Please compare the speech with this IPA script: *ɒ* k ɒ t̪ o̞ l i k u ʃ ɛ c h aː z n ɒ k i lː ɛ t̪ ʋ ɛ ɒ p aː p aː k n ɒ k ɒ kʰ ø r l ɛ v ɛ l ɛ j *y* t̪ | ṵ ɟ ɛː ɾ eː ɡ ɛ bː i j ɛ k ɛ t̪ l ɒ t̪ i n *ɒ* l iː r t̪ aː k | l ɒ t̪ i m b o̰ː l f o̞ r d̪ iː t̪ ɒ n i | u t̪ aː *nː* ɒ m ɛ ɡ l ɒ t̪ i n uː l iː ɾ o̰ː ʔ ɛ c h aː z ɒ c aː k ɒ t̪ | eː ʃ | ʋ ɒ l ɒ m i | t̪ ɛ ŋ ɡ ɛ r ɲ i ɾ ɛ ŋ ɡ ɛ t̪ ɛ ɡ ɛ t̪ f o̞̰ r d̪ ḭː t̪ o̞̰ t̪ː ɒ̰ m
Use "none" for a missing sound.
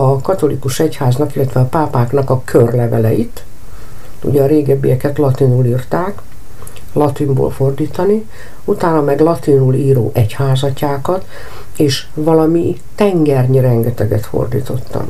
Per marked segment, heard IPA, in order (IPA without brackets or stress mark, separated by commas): ɒ, i, u, n